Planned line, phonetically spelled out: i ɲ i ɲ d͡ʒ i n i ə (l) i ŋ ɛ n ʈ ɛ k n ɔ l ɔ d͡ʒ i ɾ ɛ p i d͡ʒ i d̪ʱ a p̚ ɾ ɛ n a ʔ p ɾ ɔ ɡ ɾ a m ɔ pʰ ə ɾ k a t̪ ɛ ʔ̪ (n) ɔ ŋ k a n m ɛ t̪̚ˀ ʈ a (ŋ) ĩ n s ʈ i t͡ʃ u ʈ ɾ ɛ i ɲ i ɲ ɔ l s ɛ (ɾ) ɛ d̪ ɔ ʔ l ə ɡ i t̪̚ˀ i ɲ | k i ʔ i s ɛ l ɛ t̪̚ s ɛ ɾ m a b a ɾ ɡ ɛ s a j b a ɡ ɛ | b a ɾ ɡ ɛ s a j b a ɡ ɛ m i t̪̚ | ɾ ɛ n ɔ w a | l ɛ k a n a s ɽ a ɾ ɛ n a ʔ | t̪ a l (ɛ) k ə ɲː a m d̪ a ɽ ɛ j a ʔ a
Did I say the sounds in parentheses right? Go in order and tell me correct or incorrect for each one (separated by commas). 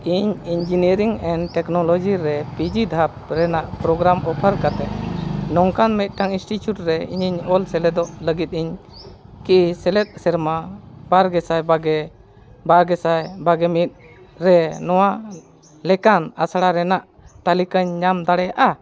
incorrect, correct, correct, incorrect, incorrect